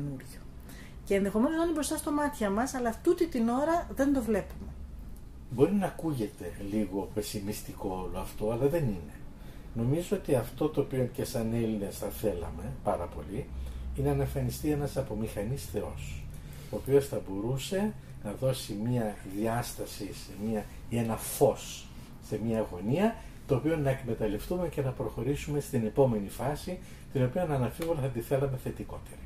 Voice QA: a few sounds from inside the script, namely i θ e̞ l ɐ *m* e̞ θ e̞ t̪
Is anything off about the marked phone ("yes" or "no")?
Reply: no